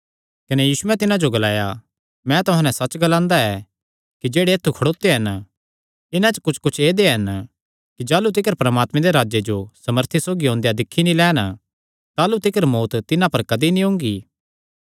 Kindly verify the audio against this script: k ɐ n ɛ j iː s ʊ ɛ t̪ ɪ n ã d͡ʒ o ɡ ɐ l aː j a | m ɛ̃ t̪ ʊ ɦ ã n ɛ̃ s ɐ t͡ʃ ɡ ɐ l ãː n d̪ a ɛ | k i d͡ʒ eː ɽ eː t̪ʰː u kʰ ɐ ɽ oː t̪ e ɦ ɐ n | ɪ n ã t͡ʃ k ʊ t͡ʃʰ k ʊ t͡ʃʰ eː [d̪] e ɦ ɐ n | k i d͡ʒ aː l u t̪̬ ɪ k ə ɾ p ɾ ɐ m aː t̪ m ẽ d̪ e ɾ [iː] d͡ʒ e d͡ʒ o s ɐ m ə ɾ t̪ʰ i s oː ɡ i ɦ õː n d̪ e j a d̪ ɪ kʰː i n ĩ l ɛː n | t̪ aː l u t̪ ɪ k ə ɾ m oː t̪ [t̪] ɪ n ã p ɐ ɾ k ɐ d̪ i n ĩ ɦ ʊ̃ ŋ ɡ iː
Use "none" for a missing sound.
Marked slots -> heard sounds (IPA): d̪, aː, t̪

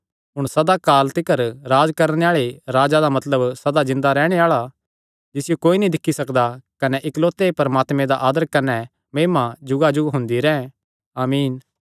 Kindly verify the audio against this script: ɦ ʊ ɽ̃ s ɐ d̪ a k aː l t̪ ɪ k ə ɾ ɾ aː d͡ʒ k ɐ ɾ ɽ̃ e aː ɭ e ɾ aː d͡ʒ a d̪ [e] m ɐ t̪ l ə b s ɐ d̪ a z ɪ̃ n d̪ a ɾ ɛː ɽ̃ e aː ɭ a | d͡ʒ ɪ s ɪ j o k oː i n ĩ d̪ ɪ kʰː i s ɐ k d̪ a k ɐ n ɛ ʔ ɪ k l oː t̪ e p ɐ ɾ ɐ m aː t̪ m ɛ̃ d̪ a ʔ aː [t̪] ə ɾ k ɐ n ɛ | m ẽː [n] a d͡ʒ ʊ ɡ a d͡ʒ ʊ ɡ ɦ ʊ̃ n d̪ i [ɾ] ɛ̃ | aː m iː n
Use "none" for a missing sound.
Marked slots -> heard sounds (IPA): a, d̪, m, ɾ

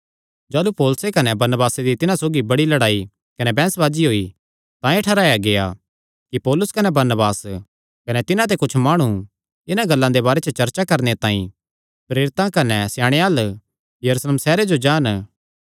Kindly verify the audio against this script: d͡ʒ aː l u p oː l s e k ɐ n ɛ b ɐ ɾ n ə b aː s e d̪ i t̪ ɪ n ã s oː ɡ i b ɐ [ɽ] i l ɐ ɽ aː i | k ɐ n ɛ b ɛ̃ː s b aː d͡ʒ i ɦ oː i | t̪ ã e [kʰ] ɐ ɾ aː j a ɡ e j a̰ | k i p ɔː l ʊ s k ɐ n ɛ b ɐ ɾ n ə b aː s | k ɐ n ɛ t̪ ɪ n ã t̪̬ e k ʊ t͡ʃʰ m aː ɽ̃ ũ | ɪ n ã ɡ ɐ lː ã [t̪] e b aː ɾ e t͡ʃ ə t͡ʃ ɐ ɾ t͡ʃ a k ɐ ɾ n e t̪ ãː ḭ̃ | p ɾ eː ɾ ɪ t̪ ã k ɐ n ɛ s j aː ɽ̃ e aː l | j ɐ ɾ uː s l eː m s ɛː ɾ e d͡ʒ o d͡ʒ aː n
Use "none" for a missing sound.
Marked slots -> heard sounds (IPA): ɽ, ʈʰ, d̪

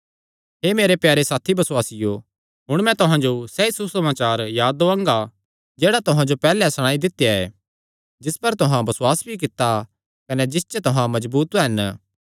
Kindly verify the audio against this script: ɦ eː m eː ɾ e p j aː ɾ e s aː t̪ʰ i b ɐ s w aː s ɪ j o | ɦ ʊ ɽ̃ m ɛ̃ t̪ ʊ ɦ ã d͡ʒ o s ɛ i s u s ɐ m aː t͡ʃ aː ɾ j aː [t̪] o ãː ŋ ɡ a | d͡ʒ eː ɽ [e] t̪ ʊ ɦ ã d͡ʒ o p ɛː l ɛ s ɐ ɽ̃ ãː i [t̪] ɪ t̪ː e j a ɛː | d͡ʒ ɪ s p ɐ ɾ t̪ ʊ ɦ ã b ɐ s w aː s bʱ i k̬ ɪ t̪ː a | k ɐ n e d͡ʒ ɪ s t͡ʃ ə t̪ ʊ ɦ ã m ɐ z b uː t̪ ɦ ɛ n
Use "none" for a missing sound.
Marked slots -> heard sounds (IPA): d̪, a, d̪

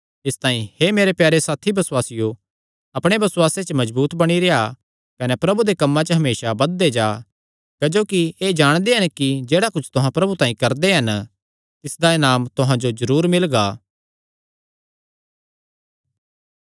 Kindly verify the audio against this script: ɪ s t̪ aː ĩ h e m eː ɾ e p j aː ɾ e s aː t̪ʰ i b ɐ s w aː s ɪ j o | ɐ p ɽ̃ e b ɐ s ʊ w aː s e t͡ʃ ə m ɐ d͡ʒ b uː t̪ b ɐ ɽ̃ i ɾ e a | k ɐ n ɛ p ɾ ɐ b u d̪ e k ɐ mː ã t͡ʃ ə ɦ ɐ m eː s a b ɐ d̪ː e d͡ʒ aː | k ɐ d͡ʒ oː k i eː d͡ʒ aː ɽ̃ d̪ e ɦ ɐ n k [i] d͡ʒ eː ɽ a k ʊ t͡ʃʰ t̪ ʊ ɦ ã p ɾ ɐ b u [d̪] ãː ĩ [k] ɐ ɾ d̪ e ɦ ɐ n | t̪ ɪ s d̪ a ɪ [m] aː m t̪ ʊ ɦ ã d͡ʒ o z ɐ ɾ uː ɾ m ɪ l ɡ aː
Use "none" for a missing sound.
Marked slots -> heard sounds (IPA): i, t̪, k, n

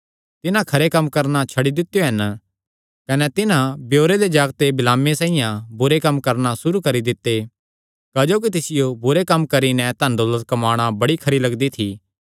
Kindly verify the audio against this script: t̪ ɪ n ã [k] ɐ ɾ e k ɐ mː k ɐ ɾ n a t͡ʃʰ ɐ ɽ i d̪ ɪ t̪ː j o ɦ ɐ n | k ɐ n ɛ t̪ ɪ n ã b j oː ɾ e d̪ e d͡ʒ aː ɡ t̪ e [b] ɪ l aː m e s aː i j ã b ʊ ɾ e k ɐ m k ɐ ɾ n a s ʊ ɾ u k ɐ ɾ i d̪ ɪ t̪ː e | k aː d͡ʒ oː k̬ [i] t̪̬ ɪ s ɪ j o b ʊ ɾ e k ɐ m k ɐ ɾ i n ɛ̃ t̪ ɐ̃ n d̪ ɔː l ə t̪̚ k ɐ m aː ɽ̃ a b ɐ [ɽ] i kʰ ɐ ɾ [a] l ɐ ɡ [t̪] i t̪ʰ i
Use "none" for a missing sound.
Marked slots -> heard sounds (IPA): kʰ, b, i, ɽ, i, d̪

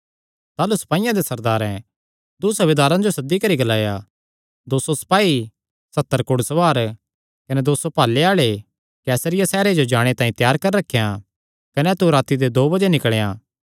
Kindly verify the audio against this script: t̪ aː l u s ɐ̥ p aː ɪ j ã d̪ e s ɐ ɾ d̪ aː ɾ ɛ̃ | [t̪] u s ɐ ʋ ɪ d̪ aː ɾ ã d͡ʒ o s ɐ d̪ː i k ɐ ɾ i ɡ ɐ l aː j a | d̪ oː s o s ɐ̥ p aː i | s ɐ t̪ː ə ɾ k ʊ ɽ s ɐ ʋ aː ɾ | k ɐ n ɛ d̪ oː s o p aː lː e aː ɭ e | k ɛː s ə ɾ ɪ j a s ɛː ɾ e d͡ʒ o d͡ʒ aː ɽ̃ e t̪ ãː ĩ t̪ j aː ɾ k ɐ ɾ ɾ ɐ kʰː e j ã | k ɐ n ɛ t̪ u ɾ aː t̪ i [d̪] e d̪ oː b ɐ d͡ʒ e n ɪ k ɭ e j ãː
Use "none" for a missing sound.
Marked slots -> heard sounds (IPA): d̪, d̪

